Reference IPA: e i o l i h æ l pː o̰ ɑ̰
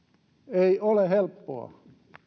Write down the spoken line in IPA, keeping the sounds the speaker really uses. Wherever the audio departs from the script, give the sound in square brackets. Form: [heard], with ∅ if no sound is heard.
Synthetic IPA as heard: e i o l [e] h [e] l pː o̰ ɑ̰

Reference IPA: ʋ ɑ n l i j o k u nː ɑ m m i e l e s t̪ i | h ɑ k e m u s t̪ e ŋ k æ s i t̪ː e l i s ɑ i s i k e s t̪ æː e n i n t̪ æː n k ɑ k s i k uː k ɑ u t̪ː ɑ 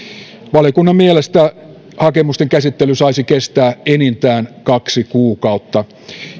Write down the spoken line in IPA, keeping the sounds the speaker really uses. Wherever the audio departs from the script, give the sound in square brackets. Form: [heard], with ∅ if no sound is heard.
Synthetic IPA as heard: ʋ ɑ [∅] l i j o k u nː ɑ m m i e l e s t̪ [æ] | h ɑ k e m u s t̪ e ŋ k æ s i t̪ː e l [y] s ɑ i s i k e s t̪ æː e n i n t̪ æː n k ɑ k s i k uː k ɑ u t̪ː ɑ

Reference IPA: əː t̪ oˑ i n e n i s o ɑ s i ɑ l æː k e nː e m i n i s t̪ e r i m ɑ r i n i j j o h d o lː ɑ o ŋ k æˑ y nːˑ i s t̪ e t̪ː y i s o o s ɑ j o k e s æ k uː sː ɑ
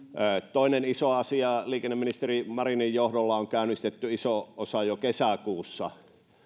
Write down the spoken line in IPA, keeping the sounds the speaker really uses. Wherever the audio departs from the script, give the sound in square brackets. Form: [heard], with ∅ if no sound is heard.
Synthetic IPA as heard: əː t̪ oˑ i n e n i s o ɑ s i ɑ l [iː] k e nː e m i n i s t̪ e r i m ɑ r i n i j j o h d o lː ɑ o ŋ k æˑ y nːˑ i s t̪ e t̪ː y i s o o s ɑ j o k e s æ k uː sː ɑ

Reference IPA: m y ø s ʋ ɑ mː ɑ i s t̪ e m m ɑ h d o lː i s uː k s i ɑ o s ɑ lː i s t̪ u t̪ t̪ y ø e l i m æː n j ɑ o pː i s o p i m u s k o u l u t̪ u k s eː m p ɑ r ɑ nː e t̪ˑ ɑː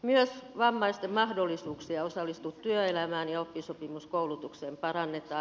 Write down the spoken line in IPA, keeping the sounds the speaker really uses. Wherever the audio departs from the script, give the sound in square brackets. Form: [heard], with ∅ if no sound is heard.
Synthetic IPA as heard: m y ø s ʋ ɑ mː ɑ i s t̪ e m m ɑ h d o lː i s uː k s i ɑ o s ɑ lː i s t̪ u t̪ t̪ y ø e l [æ] m æː n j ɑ o pː i s o p i m u s k o u l u t̪ u k s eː m p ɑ r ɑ nː e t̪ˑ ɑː

